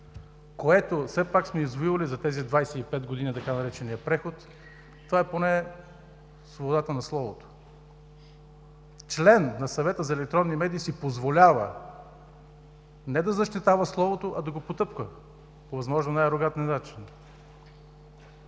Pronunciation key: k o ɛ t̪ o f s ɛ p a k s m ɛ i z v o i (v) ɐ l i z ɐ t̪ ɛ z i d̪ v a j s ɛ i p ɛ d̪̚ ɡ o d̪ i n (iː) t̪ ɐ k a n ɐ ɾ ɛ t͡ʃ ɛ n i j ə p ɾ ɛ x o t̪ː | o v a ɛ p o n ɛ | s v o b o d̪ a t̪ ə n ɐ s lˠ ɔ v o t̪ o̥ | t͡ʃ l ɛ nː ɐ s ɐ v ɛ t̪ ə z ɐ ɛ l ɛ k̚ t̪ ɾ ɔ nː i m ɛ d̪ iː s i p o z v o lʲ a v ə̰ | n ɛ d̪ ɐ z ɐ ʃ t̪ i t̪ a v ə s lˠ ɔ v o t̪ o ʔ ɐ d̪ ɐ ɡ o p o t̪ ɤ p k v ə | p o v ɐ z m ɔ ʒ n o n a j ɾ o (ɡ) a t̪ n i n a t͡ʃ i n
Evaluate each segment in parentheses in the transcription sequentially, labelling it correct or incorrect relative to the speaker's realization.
correct, incorrect: i, correct

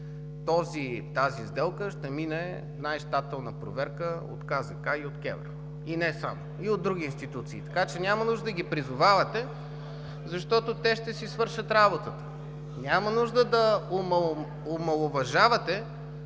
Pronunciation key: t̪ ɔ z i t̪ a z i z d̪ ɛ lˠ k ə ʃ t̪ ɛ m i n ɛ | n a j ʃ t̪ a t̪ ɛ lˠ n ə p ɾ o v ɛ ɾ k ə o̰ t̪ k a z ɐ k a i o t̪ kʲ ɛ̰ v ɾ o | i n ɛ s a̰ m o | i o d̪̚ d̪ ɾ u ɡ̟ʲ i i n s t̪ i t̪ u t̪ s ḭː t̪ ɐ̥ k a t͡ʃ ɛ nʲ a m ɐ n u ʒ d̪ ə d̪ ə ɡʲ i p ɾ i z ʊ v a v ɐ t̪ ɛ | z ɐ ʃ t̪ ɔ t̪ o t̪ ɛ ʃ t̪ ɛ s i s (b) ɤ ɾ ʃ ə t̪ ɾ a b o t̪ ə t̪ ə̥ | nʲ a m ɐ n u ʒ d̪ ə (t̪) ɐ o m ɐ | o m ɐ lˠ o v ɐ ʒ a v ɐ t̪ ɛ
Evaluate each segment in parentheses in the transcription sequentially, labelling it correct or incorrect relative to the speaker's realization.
incorrect: v, incorrect: d̪

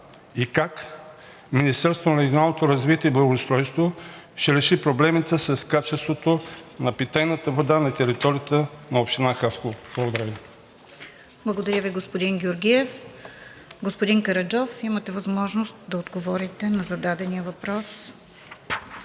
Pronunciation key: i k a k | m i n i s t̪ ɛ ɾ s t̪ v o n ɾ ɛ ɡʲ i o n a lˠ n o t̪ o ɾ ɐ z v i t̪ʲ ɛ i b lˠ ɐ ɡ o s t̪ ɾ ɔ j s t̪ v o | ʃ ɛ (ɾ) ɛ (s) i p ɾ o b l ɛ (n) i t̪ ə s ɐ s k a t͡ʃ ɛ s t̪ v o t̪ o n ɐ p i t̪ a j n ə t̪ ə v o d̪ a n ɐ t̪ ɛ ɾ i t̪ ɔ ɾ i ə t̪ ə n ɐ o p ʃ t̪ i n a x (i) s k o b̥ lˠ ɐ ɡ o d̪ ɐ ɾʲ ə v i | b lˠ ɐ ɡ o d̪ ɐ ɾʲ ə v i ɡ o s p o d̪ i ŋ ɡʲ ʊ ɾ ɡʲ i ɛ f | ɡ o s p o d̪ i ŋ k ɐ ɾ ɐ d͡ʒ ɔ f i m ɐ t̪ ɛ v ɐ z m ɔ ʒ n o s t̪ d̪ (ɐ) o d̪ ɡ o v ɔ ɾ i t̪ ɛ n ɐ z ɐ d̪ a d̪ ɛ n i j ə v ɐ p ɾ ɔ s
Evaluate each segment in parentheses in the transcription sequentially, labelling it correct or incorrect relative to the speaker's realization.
correct, incorrect: ʃ, incorrect: m, incorrect: a, correct

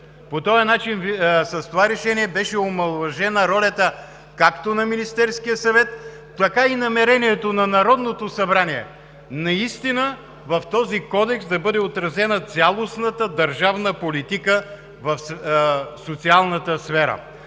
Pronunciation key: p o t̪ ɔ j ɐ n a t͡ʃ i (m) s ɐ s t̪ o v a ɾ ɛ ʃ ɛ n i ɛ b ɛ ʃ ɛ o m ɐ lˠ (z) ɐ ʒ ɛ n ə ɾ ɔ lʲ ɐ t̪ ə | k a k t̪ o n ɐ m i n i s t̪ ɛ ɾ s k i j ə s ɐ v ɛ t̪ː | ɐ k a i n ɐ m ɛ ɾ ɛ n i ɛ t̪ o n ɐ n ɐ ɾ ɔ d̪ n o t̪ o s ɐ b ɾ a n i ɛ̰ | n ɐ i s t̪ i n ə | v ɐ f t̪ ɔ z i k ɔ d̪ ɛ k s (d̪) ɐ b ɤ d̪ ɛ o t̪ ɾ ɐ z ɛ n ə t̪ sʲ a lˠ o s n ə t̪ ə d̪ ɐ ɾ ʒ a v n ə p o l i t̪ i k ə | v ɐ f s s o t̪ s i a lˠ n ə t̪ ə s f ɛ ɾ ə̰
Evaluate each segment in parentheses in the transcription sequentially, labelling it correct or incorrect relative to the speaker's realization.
incorrect: n, incorrect: v, correct

